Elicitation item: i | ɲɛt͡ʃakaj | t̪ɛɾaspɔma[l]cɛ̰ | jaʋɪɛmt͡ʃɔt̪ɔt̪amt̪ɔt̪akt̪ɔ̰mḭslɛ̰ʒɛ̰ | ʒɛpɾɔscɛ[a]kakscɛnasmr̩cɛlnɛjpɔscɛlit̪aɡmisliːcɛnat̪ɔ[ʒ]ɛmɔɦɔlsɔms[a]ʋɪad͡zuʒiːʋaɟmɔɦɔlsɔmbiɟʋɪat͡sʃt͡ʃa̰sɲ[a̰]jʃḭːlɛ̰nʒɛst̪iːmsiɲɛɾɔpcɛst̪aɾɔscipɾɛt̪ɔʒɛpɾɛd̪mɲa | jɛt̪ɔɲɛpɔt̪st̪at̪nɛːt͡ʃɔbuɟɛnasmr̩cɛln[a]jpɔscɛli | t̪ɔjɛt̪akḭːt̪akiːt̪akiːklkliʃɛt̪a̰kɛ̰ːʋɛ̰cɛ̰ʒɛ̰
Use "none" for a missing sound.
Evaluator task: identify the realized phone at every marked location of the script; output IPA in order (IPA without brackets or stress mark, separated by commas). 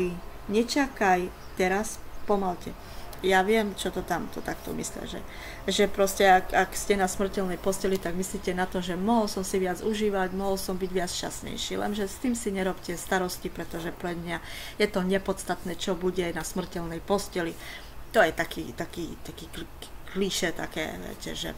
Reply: l, a, ʒ, i, ɛ̰, ɛ